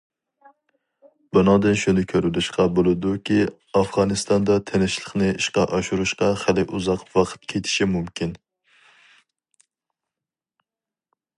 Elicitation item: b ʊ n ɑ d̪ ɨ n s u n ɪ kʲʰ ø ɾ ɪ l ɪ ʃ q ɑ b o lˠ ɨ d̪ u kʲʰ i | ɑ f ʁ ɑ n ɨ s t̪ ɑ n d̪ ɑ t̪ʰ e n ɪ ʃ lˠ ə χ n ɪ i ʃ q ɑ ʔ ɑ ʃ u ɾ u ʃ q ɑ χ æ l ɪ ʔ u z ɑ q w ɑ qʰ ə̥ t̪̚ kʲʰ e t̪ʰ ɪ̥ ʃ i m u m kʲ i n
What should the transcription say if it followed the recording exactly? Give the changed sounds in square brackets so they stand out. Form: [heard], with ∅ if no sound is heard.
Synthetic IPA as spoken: b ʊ n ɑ d̪ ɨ n [ʃ] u n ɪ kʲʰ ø ɾ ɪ l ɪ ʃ q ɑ b o lˠ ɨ d̪ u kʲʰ i | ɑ f ʁ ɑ n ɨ s t̪ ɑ n d̪ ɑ t̪ʰ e n ɪ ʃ lˠ ə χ n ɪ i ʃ q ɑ ʔ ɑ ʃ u ɾ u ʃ q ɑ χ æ l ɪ ʔ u z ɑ q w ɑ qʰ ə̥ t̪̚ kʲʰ e t̪ʰ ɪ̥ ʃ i m u m kʲ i n